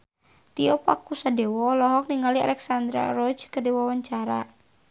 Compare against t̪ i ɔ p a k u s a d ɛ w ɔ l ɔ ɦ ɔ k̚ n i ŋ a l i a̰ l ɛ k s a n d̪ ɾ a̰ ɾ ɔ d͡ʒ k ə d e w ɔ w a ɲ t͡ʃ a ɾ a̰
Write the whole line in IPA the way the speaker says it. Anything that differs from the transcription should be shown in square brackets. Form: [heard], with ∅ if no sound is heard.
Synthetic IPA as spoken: t̪ i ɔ p a k u s a d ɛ w ɔ l ɔ ɦ ɔ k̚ n i ŋ a l i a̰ l ɛ k s a n d̪ ɾ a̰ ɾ ɔ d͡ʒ k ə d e w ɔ w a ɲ t͡ʃ a ɾ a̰

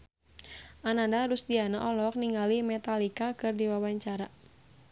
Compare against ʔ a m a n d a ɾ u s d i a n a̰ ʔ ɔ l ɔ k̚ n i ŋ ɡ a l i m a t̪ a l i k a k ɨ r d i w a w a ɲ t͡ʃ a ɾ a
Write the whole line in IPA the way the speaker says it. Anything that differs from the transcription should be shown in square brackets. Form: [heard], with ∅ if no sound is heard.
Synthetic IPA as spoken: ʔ a [n] a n d a ɾ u s d i a n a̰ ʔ ɔ l ɔ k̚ n i ŋ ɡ a l i m [ɛ] t̪ a l i k a k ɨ r d i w a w a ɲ t͡ʃ a ɾ a

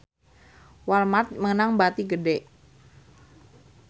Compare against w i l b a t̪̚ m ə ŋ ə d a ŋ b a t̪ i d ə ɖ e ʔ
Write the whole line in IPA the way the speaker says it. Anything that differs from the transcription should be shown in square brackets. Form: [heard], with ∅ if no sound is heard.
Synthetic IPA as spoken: w [a] l [m] a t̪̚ m ə ŋ ə [n] a ŋ b a t̪ i [ɡ] ə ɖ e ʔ

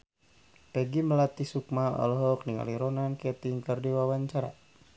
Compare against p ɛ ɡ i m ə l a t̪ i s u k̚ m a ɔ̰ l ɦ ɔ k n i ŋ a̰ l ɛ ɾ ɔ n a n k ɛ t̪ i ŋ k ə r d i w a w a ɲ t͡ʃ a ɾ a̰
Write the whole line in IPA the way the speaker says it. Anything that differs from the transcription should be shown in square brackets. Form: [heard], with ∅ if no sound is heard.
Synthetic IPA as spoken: p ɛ ɡ i m ə l a t̪ i s u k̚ m a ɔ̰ l ɦ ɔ k n i ŋ a̰ l [i] ɾ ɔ n a n k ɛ t̪ i ŋ k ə r d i w a w a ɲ t͡ʃ a ɾ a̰

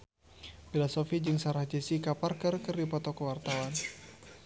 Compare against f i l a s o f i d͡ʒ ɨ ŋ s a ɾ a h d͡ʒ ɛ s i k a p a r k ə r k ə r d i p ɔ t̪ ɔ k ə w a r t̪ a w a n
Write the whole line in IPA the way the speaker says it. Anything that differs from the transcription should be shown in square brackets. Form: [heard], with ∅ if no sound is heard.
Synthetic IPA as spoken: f i l a s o f i d͡ʒ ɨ ŋ s a ɾ a h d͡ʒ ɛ s i k a p a r k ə r k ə r d i p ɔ t̪ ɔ k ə w a r t̪ a w a n

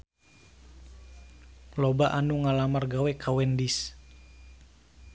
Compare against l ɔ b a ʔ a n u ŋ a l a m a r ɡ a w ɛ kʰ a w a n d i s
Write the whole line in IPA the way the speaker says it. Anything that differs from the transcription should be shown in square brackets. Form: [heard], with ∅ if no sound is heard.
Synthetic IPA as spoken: l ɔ b a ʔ a n u ŋ a l a m a r ɡ a w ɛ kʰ a w [ɛ] n d i s

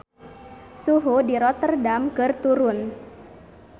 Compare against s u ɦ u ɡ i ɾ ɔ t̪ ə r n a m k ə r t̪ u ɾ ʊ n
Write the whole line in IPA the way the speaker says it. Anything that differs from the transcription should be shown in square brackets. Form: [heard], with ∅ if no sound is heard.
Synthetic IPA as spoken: s u ɦ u [d] i ɾ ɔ t̪ ə r [d] a m k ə r t̪ u ɾ ʊ n

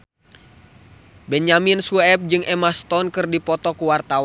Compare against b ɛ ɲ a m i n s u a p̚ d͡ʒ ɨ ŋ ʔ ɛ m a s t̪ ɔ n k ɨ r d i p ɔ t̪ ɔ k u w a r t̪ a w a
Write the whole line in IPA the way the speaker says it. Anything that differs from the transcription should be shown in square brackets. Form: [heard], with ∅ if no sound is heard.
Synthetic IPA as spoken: b ɛ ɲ a m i n s u [ɛ] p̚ d͡ʒ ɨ ŋ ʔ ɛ m a s t̪ ɔ n k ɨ r d i p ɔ t̪ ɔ k u w a r t̪ a w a

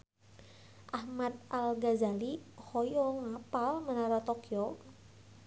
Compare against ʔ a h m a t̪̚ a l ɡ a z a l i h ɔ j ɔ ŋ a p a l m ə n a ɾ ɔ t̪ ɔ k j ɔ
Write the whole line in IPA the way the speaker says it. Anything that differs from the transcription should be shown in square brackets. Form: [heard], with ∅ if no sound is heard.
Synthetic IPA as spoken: ʔ a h m a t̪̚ a l ɡ a z a l i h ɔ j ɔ ŋ a p a l m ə n a ɾ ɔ t̪ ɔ k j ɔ

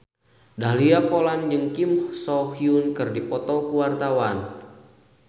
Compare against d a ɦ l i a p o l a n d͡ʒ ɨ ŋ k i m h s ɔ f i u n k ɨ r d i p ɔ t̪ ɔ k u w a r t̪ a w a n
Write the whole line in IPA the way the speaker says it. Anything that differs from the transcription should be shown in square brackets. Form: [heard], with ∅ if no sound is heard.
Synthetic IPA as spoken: d a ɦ l i a p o l a n d͡ʒ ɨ ŋ k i m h s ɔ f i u n k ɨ r d i p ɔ t̪ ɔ k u w a r t̪ a w a n

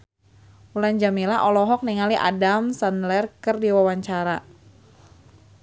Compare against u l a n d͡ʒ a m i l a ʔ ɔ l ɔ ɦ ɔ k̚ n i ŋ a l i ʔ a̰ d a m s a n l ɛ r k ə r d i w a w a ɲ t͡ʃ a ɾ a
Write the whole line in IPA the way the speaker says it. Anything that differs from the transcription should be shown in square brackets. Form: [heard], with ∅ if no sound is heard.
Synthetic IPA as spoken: u l a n d͡ʒ a m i l a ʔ ɔ l ɔ ɦ ɔ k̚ n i ŋ a l i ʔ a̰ d a m s a n l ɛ r k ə r d i w a w a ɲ t͡ʃ a ɾ a

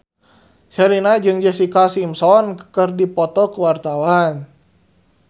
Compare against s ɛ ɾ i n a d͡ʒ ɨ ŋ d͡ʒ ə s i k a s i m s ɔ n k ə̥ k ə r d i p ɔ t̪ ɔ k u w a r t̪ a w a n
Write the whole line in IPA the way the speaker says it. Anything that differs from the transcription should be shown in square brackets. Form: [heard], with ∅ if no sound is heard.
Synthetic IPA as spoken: s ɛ ɾ i n a d͡ʒ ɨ ŋ d͡ʒ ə s i k a s i m s ɔ n k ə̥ k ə r d i p ɔ t̪ ɔ k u w a r t̪ a w a n

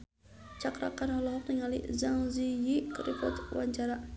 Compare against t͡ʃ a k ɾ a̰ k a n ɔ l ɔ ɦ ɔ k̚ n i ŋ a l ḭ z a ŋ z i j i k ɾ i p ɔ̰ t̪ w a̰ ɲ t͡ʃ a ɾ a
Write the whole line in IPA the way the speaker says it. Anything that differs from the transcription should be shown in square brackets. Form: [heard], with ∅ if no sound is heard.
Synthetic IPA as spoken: t͡ʃ a k ɾ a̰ k a n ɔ l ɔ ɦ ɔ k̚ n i ŋ a l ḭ z a ŋ z i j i k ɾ i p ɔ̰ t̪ w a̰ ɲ t͡ʃ a ɾ a

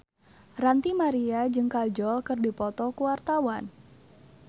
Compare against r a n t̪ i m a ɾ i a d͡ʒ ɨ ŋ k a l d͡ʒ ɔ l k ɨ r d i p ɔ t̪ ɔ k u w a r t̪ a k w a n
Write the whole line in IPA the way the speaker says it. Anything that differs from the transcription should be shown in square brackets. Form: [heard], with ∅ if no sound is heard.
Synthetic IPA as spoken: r a n t̪ i m a ɾ i a d͡ʒ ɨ ŋ k a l d͡ʒ ɔ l k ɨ r d i p ɔ t̪ ɔ k u w a r t̪ a [∅] w a n

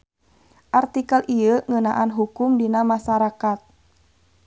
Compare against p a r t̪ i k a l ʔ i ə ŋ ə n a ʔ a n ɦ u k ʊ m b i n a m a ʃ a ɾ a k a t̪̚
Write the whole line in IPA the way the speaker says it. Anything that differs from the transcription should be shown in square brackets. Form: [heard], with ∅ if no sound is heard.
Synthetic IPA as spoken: [ʔ] a r t̪ i k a l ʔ i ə ŋ ə n a ʔ a n ɦ u k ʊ m [d] i n a m a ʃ a ɾ a k a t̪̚

